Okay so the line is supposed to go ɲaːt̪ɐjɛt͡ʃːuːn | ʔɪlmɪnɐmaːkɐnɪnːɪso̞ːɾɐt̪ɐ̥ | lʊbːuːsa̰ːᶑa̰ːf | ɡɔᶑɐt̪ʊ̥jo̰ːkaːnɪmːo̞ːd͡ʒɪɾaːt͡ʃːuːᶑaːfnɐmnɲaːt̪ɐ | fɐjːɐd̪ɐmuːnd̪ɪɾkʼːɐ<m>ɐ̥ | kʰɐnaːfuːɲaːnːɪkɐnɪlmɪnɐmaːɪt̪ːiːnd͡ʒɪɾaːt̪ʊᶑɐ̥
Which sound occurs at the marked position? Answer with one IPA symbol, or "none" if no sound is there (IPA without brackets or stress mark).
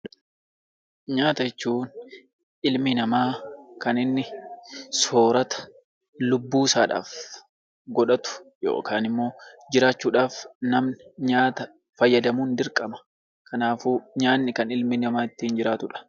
m